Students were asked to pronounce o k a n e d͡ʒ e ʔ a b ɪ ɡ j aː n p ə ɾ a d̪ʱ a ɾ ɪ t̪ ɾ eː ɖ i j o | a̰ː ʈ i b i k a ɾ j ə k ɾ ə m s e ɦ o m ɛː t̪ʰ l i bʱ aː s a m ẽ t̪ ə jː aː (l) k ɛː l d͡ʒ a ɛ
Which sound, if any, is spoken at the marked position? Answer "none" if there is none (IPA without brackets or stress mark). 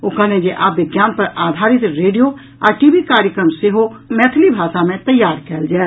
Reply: ɾ